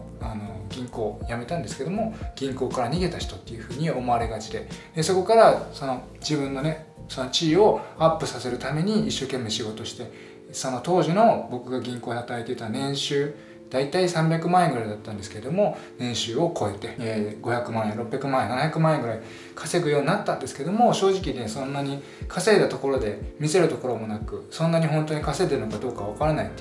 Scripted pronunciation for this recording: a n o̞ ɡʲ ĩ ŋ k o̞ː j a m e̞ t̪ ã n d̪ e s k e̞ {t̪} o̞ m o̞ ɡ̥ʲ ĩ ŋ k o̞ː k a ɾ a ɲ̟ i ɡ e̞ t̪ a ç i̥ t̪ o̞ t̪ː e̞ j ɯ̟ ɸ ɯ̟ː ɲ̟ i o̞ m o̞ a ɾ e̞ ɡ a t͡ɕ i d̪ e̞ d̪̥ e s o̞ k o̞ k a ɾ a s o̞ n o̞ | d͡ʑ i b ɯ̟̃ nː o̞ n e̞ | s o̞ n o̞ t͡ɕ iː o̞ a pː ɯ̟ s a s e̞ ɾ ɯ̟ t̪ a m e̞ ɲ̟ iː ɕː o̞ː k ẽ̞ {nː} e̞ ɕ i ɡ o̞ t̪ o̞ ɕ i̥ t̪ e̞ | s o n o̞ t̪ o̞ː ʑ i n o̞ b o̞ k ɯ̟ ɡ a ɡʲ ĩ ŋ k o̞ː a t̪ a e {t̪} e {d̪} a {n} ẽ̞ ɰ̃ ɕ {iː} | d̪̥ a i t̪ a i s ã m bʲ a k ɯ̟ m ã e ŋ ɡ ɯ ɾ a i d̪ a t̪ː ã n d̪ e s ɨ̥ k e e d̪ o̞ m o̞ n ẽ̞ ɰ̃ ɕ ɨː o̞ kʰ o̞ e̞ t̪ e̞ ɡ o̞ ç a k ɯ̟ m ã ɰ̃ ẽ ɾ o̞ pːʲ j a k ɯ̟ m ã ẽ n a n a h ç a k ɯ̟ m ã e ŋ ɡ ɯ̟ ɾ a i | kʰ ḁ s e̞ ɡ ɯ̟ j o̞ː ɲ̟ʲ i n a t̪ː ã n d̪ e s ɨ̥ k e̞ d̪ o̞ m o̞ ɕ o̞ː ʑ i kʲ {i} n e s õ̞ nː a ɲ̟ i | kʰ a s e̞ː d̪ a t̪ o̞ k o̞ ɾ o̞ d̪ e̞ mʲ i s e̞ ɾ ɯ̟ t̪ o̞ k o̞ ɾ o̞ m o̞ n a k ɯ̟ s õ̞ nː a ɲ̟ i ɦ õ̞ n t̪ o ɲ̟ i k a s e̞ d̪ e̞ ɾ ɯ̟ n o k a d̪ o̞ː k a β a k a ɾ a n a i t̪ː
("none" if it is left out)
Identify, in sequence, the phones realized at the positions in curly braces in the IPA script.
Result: d̪, mː, t̪, t̪, n, ɨː, i

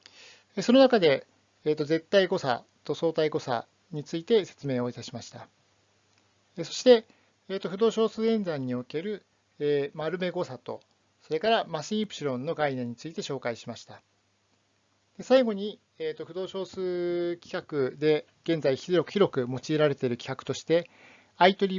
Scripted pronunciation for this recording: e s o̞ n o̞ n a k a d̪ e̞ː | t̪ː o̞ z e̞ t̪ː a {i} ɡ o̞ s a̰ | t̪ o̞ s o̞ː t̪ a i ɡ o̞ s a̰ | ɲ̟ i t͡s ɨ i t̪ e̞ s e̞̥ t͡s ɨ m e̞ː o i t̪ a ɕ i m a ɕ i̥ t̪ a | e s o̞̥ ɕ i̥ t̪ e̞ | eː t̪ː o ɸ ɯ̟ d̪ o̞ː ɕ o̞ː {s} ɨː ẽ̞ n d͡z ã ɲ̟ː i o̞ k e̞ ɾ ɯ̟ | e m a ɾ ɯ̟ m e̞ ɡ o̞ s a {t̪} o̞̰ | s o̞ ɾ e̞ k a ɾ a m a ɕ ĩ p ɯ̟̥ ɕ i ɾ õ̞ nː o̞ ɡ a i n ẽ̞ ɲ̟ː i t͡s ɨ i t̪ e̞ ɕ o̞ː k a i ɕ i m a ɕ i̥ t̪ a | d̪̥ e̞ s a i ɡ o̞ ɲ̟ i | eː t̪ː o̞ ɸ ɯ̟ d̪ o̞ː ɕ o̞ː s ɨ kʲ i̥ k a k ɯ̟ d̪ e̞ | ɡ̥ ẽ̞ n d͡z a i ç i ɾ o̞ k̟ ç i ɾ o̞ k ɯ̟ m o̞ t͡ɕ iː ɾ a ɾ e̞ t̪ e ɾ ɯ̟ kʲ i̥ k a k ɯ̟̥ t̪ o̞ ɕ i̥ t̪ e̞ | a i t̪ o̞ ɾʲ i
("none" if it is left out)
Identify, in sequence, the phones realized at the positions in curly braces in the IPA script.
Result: i, s, t̪

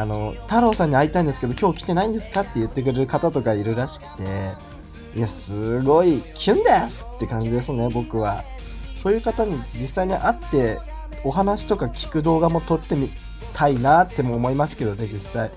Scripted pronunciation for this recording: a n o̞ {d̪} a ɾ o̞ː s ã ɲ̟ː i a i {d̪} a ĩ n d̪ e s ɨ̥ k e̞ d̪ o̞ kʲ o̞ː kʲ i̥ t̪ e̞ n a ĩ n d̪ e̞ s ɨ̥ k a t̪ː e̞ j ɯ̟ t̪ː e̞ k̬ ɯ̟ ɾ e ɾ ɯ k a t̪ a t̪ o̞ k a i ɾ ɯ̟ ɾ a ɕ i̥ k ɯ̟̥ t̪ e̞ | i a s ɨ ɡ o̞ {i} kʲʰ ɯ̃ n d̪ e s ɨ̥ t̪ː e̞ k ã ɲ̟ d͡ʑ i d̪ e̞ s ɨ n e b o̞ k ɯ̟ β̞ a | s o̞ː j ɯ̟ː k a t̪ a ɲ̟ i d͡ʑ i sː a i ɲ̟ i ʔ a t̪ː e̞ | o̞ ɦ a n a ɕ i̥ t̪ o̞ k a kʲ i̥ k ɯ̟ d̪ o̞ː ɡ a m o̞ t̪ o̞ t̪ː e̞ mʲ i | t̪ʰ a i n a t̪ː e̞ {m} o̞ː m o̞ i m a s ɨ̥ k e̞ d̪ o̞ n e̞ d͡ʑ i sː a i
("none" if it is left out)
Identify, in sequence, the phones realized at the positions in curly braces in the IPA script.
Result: t̪, t̪, i, m

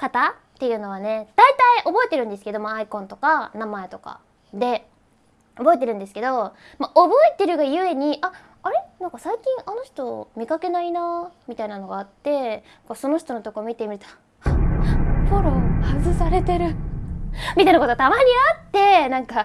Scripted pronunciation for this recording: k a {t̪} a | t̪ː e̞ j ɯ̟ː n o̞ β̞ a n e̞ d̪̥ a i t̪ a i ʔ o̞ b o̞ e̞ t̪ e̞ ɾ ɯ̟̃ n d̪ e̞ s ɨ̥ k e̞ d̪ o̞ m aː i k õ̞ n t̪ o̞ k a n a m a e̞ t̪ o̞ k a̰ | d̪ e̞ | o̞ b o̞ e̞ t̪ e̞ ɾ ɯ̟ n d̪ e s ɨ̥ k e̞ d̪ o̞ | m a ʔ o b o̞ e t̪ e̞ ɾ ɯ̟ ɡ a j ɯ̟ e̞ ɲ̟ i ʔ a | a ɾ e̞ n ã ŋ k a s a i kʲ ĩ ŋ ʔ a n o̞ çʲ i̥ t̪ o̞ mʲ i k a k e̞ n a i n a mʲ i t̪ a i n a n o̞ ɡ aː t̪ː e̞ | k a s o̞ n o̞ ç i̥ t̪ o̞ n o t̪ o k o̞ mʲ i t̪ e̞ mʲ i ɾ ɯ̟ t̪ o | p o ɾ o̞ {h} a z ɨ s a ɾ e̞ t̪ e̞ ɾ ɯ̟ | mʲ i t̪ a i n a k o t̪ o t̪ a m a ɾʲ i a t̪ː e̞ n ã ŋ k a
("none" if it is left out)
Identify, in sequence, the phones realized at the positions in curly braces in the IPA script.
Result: t̪, h

